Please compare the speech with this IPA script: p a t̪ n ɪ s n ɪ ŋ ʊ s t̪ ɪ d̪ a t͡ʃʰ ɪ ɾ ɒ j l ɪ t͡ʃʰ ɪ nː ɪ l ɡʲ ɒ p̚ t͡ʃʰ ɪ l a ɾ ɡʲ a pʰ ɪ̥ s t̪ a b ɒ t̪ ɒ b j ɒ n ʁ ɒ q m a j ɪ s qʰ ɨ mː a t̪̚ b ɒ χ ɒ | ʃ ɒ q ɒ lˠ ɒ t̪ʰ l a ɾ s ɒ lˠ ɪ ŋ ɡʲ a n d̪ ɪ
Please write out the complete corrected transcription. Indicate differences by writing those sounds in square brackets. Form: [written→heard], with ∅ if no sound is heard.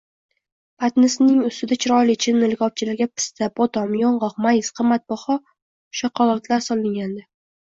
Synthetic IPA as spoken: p a t̪ n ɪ s n ɪ ŋ ʊ s t̪ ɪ d̪ a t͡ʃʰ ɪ ɾ ɒ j l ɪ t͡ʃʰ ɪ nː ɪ l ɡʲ ɒ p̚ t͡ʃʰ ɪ l a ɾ ɡʲ a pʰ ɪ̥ s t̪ a b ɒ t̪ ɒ [b→m] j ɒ [n→ɴ] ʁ ɒ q m a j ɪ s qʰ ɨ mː a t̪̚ b ɒ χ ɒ | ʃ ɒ q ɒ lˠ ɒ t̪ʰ l a ɾ s ɒ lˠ ɪ ŋ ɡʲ a n d̪ ɪ